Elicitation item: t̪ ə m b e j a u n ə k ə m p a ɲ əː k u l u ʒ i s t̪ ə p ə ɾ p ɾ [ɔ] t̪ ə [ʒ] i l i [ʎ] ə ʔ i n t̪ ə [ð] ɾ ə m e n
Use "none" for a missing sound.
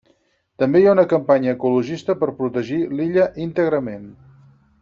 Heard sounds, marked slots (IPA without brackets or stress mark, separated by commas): u, ʒ, ʎ, ɣ